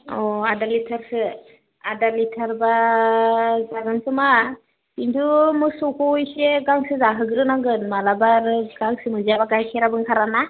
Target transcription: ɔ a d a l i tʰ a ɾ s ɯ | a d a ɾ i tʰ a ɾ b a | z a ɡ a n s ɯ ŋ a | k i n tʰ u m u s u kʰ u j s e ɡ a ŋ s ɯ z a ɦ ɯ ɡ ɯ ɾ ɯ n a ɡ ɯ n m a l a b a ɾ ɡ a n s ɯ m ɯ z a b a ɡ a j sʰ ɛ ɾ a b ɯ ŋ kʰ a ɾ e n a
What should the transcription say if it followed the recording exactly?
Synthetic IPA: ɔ a d a l i tʰ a ɾ s ɯ | a d a l i tʰ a ɾ b a | z a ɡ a n s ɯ m a | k i n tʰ u m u s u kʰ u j s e ɡ a ŋ s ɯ z a ɦ ɯ ɡ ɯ ɾ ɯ n a ɡ ɯ n m a l a b a ɾ ɡ a ŋ s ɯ m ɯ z a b a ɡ a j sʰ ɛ ɾ a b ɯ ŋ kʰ a ɾ a n a